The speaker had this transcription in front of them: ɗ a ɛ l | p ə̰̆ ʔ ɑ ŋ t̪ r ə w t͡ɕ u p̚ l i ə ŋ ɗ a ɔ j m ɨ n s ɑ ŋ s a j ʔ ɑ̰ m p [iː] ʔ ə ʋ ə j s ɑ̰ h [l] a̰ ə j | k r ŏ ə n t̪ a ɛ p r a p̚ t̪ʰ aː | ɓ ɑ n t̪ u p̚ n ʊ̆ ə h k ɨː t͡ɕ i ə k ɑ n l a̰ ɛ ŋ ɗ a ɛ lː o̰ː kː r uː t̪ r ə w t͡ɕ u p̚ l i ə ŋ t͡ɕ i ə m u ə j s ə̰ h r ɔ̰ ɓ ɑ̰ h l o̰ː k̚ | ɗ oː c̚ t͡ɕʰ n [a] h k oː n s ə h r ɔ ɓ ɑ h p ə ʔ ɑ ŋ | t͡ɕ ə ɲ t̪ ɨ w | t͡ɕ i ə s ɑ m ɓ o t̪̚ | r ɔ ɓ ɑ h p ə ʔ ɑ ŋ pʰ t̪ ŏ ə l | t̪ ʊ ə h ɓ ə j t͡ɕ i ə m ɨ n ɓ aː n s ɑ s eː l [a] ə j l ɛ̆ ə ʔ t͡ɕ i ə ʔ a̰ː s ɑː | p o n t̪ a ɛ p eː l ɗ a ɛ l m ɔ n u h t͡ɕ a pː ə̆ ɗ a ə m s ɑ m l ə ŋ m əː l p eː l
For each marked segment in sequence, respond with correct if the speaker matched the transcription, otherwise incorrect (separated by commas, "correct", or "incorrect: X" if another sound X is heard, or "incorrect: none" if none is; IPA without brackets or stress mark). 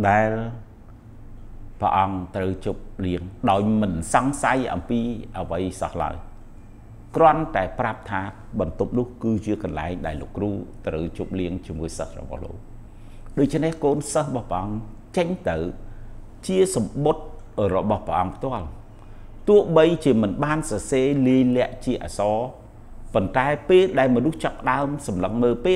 correct, correct, incorrect: e, incorrect: i